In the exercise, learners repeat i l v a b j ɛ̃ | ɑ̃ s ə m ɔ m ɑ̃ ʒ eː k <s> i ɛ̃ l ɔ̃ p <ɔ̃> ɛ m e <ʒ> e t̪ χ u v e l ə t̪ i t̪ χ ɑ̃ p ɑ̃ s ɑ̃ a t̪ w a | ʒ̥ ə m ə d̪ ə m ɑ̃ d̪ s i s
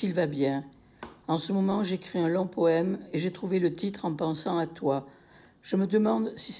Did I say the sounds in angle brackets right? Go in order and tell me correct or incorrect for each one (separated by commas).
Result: incorrect, incorrect, correct